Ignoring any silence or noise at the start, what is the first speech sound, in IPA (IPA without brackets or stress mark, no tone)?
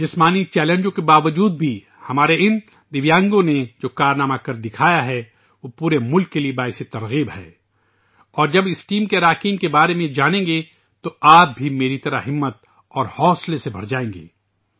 d͡ʒ